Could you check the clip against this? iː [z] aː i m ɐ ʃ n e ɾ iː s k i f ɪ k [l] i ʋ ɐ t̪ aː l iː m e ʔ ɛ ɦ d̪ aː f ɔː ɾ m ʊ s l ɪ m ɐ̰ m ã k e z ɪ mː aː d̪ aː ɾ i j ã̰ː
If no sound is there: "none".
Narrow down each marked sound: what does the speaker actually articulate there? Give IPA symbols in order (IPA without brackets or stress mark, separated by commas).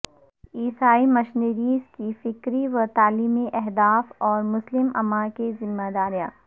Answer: s, ɾ